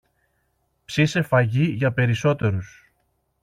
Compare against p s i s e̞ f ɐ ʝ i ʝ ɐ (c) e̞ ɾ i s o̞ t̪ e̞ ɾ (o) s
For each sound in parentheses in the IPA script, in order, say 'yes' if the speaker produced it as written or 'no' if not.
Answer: no, no

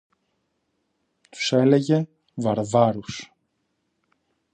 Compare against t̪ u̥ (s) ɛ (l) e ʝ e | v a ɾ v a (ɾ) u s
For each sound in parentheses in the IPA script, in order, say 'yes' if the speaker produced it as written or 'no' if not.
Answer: yes, yes, yes

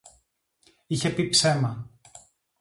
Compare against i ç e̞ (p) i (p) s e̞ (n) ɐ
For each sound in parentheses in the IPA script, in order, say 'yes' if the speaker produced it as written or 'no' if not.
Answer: yes, yes, no

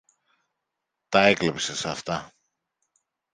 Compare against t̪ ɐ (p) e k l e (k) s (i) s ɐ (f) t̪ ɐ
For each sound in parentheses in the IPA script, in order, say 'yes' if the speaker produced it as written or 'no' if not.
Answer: no, no, no, yes

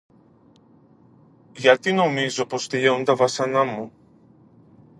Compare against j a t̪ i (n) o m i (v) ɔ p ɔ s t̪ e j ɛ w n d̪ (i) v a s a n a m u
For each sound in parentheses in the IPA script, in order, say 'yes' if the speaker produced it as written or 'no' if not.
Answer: yes, no, no

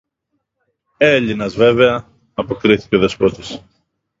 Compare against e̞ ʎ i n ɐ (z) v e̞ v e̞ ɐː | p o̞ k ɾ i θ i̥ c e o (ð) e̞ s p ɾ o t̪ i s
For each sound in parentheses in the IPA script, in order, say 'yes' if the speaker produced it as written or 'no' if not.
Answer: yes, yes

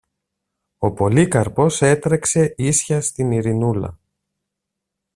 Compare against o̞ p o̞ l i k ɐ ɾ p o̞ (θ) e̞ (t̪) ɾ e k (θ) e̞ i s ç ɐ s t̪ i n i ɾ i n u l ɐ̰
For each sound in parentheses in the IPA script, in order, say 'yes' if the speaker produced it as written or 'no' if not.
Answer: no, yes, no

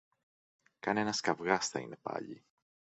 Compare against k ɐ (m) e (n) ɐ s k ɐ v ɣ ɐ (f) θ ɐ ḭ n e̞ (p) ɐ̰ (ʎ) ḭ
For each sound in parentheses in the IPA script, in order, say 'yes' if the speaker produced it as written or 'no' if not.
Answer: no, yes, no, yes, yes

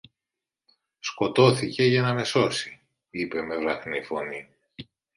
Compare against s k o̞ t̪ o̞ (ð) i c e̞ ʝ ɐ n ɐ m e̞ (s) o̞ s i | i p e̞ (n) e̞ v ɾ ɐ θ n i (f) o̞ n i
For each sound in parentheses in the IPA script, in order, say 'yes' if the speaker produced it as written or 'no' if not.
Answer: no, yes, no, yes

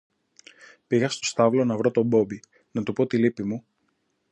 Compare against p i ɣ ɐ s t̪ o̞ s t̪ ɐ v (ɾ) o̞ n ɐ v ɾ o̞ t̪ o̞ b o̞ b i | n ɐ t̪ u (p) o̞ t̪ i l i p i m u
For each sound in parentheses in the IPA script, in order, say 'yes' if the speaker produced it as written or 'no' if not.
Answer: no, yes

